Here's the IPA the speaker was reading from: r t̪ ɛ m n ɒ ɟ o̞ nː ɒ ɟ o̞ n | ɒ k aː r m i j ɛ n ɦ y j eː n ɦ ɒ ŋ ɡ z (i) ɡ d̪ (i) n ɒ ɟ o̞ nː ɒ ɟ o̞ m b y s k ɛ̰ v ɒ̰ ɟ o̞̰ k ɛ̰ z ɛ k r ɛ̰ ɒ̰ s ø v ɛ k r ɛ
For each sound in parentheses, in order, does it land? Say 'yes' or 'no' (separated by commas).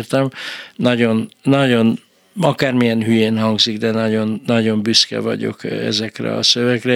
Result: yes, no